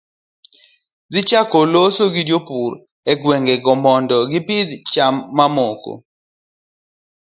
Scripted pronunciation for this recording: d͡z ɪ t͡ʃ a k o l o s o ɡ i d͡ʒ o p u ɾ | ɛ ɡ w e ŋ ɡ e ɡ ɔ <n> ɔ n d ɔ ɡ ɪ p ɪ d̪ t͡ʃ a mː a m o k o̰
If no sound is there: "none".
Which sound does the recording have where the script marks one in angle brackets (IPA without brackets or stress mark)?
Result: m